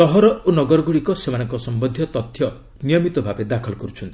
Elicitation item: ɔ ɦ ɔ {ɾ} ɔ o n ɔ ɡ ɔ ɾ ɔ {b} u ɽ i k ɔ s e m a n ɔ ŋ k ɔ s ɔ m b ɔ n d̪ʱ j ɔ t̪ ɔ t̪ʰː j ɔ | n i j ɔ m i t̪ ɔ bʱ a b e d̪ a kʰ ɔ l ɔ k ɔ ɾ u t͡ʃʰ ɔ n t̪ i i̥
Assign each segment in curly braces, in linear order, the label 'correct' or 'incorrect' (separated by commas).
correct, incorrect